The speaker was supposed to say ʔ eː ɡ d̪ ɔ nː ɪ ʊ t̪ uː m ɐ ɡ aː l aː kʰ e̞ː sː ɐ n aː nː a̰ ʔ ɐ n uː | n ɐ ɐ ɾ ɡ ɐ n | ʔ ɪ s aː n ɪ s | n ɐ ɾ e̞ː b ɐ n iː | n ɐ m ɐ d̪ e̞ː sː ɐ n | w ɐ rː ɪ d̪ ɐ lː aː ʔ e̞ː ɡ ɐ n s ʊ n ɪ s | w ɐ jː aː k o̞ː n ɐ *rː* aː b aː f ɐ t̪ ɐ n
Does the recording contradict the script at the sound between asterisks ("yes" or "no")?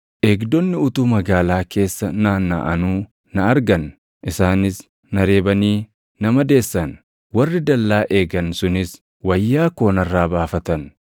no